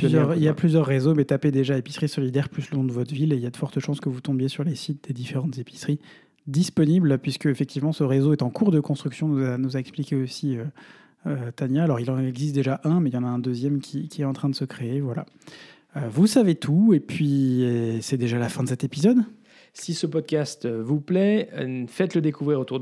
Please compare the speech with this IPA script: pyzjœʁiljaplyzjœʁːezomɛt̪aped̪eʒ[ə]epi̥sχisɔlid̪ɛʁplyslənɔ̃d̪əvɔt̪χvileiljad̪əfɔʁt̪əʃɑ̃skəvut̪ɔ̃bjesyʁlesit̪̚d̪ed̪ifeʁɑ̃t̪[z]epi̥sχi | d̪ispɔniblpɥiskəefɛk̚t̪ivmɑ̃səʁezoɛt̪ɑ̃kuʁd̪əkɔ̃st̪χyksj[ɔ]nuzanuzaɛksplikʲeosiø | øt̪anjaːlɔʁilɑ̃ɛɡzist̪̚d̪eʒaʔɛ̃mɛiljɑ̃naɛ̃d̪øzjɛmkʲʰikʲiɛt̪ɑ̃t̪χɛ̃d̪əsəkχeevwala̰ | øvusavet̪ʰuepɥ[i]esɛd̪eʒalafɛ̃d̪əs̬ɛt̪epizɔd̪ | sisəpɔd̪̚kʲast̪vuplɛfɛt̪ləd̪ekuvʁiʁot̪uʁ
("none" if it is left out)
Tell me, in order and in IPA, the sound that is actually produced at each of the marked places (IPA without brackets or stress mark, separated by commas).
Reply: a, z, ɔ̃, i